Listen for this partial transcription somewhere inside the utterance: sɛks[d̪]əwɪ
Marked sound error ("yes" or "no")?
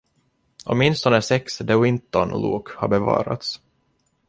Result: no